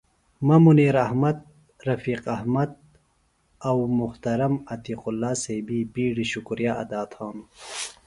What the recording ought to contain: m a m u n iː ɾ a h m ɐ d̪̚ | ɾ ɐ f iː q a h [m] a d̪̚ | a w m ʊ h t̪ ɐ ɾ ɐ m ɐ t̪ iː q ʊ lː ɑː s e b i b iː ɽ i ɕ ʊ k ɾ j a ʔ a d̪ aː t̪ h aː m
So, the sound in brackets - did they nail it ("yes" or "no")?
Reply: yes